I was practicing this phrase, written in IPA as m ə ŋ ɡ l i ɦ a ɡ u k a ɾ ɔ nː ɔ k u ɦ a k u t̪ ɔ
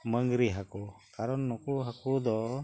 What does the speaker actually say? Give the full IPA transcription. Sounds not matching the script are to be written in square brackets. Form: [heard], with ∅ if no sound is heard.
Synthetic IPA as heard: m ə ŋ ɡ [ɾ] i ɦ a [k] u k a ɾ ɔ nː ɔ k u ɦ a k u [d̪] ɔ